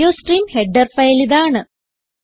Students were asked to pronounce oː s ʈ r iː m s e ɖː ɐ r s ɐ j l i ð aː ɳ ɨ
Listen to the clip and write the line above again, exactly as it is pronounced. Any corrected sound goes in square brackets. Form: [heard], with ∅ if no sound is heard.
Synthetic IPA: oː s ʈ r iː m [h] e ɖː ɐ r [f] ɐ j l i ð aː ɳ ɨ